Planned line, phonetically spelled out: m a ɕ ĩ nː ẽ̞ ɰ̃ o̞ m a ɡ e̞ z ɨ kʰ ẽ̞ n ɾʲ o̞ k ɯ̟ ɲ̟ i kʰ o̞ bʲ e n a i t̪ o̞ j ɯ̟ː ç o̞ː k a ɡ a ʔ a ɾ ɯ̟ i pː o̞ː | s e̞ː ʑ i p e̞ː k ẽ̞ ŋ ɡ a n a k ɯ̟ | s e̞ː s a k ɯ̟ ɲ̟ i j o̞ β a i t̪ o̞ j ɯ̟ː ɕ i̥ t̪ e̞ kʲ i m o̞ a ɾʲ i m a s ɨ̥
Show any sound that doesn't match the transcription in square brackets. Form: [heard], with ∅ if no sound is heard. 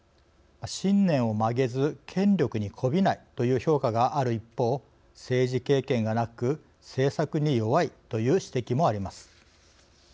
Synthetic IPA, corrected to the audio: m a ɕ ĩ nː ẽ̞ ɰ̃ o̞ m a ɡ e̞ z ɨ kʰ ẽ̞ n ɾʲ o̞ k ɯ̟ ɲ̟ i kʰ o̞ bʲ [i] n a i t̪ o̞ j ɯ̟ː ç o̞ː k a ɡ a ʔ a ɾ ɯ̟ i pː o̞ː | s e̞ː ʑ i [k] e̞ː k ẽ̞ ŋ ɡ a n a k ɯ̟ | s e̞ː s a k ɯ̟ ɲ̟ i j o̞ β a i t̪ o̞ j ɯ̟ː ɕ i̥ t̪ e̞ kʲ i m o̞ a ɾʲ i m a s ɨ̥